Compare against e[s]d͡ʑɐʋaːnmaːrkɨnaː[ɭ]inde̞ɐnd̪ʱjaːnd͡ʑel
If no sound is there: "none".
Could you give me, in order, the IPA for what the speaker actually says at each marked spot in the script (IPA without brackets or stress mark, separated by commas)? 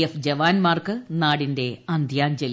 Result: f, ɽ